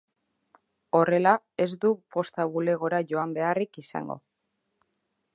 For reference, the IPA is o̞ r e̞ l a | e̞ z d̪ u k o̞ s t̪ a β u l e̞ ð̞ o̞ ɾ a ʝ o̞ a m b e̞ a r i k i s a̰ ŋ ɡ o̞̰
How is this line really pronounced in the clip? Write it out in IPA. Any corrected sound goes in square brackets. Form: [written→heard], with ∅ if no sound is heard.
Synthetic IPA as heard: o̞ r e̞ l a | e̞ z d̪ u [k→p] o̞ s t̪ a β u l e̞ [ð̞→ɣ̞] o̞ ɾ a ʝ o̞ a m b e̞ a r i k i s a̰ ŋ ɡ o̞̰